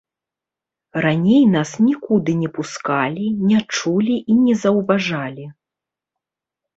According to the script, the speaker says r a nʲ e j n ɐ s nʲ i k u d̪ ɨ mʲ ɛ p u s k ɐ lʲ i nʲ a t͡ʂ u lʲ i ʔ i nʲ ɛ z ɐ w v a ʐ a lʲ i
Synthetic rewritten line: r a nʲ e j n a s nʲ i k u d̪ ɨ nʲ ɛ p u s k a lʲ i nʲ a t͡ʂ u lʲ i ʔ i nʲ ɛ z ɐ w v a ʐ a lʲ i